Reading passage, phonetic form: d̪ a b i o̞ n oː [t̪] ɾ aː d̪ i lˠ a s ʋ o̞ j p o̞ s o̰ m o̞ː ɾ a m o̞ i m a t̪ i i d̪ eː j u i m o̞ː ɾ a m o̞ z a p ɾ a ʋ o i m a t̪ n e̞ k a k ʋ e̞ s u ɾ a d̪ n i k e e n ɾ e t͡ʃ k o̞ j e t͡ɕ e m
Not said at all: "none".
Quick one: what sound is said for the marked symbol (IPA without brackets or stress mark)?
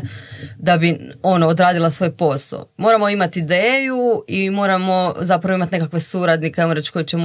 d̪